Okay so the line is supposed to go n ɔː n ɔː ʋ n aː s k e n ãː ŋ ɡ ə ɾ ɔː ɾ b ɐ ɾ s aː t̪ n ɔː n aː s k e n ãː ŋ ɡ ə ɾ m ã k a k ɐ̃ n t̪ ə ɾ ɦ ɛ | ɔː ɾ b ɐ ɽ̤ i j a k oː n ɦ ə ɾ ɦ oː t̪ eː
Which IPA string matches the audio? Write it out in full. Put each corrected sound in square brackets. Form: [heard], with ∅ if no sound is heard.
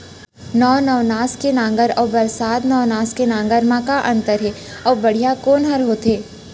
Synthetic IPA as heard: n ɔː n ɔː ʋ n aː s k e n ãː ŋ ɡ ə ɾ ɔː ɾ b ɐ ɾ s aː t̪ n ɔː n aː s k e n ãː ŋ ɡ ə ɾ m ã k a [ʔ] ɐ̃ n t̪ ə ɾ ɦ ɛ | ɔː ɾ b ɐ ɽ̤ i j a k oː n ɦ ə ɾ ɦ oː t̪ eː